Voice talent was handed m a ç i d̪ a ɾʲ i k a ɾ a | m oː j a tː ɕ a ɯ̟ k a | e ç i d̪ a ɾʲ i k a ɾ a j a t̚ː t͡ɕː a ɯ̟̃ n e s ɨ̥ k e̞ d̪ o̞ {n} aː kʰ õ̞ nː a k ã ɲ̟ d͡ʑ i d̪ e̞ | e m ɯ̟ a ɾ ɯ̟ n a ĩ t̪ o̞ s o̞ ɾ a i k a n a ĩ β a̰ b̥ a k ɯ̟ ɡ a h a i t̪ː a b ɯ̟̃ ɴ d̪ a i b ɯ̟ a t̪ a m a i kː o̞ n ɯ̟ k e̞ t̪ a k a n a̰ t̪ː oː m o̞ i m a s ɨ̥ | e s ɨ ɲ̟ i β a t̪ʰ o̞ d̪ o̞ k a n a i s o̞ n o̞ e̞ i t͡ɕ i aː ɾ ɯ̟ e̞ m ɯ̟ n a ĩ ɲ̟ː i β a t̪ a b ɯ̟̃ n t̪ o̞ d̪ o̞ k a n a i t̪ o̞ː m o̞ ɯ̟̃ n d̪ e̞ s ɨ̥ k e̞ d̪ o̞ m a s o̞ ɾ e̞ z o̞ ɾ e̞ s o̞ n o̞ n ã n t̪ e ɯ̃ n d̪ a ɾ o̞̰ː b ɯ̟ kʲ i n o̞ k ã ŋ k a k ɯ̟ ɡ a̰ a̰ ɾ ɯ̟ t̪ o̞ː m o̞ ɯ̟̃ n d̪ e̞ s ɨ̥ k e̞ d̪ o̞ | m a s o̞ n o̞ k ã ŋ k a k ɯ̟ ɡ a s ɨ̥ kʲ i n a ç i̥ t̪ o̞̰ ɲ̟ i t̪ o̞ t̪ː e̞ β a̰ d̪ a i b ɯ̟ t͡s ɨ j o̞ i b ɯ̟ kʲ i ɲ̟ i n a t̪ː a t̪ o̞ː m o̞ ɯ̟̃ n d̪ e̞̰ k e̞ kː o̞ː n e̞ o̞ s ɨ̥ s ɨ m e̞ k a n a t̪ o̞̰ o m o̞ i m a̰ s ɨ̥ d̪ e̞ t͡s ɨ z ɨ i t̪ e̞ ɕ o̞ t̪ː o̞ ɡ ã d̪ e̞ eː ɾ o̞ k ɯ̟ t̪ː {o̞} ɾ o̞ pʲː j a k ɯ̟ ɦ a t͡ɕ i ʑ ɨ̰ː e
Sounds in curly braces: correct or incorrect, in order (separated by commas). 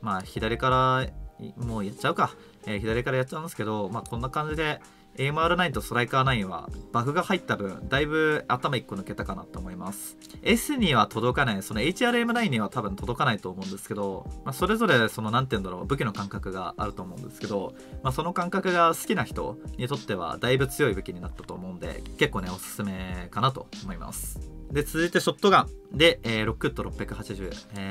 incorrect, correct